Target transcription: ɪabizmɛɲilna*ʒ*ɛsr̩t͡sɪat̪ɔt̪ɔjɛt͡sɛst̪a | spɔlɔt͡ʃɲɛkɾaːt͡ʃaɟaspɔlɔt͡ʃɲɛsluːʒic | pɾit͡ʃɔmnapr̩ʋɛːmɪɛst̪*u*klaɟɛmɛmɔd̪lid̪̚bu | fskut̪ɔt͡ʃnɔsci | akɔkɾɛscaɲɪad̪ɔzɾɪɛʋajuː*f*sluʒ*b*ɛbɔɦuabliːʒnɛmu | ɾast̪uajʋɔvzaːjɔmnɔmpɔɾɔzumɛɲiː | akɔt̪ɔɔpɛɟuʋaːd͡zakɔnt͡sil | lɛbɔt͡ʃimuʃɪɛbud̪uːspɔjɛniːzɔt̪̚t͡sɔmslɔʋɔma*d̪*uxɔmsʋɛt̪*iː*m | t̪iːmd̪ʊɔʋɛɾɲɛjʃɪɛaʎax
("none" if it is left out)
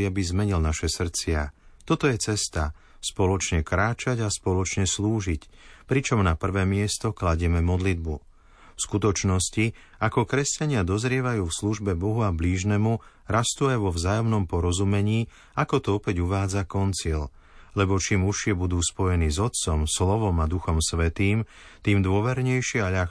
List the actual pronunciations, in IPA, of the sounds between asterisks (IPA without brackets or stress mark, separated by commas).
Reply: ʃ, ɔ, f, b, d̪, iː